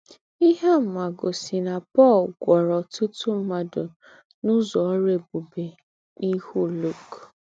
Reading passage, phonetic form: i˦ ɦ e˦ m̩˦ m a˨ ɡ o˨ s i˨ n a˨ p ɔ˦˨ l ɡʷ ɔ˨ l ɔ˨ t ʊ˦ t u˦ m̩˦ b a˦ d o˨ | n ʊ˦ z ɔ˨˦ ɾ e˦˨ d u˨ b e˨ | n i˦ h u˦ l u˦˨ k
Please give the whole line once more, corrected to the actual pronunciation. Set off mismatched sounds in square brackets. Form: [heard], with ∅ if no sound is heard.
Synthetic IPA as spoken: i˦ ɦ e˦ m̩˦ m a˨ ɡ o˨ s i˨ n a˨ p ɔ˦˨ l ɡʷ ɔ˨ [ɾ] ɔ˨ t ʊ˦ t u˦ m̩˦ [m] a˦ d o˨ | n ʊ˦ z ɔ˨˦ ɾ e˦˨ [b] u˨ b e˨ | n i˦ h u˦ l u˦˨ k